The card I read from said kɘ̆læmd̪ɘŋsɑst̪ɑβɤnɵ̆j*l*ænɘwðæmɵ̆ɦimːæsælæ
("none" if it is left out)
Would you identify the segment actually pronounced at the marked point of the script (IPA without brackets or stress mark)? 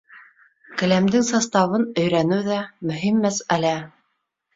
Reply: ɾ